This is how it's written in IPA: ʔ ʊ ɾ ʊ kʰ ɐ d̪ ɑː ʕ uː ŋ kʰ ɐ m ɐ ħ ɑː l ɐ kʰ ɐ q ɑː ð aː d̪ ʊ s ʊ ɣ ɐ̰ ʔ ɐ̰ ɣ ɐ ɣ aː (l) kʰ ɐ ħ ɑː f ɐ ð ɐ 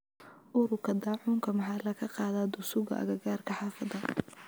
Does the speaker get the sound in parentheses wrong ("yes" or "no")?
yes